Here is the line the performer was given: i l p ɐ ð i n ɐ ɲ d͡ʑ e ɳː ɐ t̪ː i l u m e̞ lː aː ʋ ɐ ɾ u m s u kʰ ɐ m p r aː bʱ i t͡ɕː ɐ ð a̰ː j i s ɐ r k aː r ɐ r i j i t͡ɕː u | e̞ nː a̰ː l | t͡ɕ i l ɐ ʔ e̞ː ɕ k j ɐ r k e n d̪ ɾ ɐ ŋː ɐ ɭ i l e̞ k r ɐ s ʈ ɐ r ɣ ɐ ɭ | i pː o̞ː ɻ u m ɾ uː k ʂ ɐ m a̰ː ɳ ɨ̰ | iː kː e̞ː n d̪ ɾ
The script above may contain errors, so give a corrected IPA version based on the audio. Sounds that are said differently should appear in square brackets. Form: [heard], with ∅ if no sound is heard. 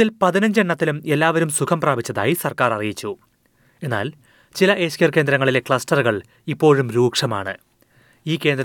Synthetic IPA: i l p ɐ ð i n ɐ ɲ d͡ʑ e ɳː ɐ t̪ː i l u m e̞ lː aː ʋ ɐ ɾ u m s u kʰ ɐ m p r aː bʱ i t͡ɕː ɐ ð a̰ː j i s ɐ r k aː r ɐ r i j i t͡ɕː u | e̞ nː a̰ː l | t͡ɕ i l ɐ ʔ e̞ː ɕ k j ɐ r k e n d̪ ɾ ɐ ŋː ɐ ɭ i l e̞ k [ɭ] ɐ s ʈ ɐ r ɣ ɐ ɭ | i pː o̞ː ɻ u m ɾ uː k ʂ ɐ m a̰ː ɳ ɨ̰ | iː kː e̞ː n d̪ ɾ